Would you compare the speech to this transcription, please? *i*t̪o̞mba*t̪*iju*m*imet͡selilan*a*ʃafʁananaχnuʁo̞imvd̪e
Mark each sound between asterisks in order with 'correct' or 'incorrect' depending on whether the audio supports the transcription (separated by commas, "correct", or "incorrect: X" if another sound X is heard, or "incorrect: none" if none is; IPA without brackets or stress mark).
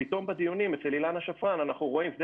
correct, incorrect: d̪, incorrect: n, correct